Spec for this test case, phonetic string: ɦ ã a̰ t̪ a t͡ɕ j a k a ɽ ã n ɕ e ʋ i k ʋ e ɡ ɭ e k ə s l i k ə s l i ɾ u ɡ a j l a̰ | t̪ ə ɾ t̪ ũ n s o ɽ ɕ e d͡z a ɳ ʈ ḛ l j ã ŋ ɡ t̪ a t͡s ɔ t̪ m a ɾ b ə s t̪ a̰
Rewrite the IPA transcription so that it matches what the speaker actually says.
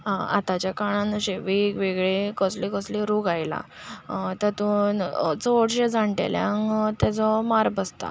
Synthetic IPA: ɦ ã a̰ t̪ a t͡ɕ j a k a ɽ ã n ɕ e ʋ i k ʋ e ɡ ɭ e k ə s l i k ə s l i ɾ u ɡ a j l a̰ | t̪ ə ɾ t̪ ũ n t͡s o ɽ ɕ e d͡z a ɳ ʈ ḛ l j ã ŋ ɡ t̪ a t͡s ɔ m a ɾ b ə s t̪ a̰